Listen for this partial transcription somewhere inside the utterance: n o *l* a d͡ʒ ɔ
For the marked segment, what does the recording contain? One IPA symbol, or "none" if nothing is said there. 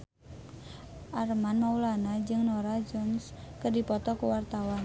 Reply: ɾ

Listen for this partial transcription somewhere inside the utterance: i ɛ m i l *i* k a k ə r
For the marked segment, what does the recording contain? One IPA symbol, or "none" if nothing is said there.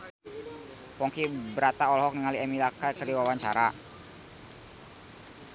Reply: a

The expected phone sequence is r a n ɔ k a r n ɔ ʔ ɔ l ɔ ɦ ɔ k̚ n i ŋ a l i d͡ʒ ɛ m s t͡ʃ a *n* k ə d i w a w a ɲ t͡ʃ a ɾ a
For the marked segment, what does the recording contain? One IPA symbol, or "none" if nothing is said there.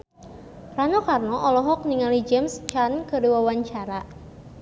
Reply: n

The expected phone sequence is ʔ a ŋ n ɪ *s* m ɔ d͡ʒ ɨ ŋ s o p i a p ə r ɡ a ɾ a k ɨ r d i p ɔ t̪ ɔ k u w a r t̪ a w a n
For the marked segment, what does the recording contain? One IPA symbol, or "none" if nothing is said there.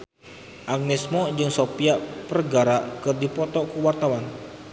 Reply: s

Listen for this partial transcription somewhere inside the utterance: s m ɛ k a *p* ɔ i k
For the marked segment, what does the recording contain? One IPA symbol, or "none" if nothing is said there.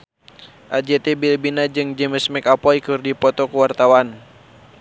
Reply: p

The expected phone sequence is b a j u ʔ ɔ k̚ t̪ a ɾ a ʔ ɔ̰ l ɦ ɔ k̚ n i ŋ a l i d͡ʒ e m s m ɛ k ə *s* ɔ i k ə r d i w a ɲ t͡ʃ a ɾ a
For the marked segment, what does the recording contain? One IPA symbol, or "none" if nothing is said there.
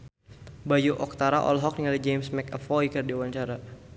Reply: f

